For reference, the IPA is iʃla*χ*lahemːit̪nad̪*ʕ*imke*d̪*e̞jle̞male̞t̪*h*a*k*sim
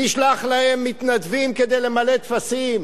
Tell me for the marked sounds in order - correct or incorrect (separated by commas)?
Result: correct, incorrect, correct, incorrect, incorrect